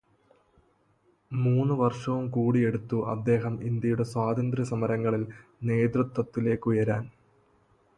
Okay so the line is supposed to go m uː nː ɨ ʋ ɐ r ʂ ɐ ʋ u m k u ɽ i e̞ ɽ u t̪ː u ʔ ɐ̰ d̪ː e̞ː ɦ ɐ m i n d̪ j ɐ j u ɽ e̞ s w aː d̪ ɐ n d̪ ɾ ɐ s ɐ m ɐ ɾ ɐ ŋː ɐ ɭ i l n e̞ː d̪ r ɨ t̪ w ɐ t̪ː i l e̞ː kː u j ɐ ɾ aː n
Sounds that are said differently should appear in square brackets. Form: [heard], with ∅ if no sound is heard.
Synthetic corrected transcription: m uː nː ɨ ʋ ɐ r ʂ ɐ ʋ u m k [uː] ɽ i e̞ ɽ u t̪ː u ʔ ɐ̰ d̪ː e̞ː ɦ ɐ m i n d̪ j ɐ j u ɽ e̞ s w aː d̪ ɐ n d̪ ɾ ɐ s ɐ m ɐ ɾ ɐ ŋː ɐ ɭ i l n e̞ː d̪ r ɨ t̪ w ɐ t̪ː i l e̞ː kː u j ɐ ɾ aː n